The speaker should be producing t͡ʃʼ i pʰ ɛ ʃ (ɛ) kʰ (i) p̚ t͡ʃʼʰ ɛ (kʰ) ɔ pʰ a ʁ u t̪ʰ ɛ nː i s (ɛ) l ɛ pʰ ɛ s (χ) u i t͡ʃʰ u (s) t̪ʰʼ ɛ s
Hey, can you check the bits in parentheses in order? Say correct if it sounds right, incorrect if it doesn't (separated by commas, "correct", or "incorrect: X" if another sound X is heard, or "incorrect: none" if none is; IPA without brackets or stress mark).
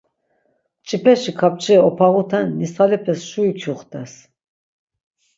incorrect: i, incorrect: a, incorrect: none, incorrect: a, incorrect: ʃ, incorrect: χ